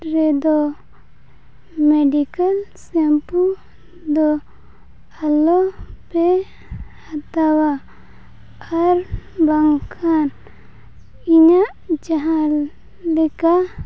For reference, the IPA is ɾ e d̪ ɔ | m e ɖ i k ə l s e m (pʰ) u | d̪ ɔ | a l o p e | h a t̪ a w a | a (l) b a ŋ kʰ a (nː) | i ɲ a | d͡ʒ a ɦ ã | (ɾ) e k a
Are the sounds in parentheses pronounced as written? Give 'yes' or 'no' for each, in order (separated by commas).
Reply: no, no, no, no